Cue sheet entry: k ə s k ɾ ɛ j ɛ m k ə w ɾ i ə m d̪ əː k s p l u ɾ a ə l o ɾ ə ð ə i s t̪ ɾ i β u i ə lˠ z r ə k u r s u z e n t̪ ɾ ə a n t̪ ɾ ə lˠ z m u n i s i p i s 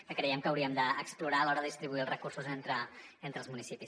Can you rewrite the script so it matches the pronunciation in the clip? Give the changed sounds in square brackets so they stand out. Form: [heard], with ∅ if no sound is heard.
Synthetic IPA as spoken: k ə [∅] k ɾ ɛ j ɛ m k ə w ɾ i ə m d̪ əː k s p l u ɾ a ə l [ɔ] ɾ ə ð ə i s t̪ ɾ i β u i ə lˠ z r ə k u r s u z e n t̪ ɾ ə [e] n t̪ ɾ ə lˠ z m u n i s i p i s